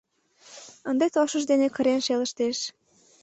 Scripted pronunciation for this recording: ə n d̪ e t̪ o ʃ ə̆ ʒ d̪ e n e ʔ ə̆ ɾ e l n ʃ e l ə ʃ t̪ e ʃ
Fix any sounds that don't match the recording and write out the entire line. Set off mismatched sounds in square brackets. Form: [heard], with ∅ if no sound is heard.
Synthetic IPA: ə n d̪ e t̪ o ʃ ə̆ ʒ d̪ e n e [k] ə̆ ɾ e [∅] n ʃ e l ə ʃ t̪ e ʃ